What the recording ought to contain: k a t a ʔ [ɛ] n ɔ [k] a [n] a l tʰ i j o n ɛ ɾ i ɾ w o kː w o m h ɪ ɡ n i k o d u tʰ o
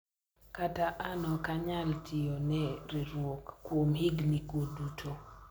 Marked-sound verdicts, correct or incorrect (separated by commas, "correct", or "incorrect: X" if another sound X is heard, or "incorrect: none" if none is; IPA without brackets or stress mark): incorrect: a, correct, incorrect: ɲ